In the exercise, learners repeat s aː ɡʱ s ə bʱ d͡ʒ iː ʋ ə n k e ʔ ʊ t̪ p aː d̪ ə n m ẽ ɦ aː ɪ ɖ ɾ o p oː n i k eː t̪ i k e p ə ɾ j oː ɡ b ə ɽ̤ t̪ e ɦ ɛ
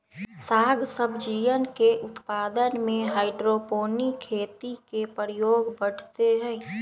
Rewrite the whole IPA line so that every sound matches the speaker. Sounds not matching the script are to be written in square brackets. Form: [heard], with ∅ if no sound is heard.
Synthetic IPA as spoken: s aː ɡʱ s ə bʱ d͡ʒ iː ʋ ə n k e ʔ ʊ t̪ p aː d̪ ə n m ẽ ɦ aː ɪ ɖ ɾ o p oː n i [kʰ] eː t̪ i k e p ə ɾ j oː ɡ b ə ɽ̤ t̪ e ɦ ɛ